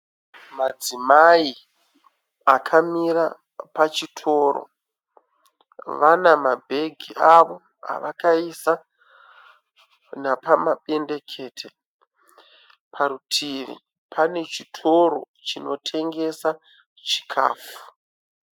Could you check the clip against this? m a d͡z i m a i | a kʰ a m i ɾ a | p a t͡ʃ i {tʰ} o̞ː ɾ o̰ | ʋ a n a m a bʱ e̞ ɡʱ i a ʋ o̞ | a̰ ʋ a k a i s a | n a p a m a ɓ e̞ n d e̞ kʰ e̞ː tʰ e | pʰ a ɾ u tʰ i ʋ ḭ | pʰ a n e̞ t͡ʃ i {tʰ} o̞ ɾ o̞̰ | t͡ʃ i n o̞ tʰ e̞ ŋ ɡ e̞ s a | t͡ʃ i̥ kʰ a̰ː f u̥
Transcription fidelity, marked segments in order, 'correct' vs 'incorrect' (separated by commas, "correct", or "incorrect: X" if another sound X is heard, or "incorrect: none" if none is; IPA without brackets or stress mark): correct, correct